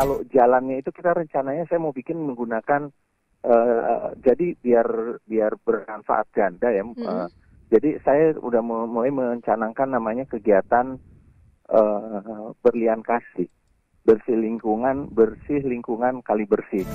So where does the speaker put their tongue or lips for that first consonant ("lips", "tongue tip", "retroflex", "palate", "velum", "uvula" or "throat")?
velum